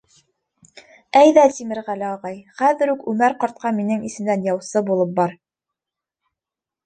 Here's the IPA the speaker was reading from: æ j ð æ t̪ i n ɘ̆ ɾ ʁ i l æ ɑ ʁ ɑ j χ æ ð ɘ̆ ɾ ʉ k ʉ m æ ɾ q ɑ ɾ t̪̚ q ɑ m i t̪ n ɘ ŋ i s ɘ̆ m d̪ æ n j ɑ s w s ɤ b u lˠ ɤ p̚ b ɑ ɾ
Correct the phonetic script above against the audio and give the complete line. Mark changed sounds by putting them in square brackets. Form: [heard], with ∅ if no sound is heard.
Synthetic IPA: æ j ð æ t̪ i [m] ɘ̆ ɾ ʁ [æ] l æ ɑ ʁ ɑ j χ æ ð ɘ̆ ɾ ʉ k ʉ m æ ɾ q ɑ ɾ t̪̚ q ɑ m i [∅] n ɘ ŋ i s ɘ̆ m d̪ æ n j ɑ [∅] w s ɤ b u lˠ ɤ p̚ b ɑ ɾ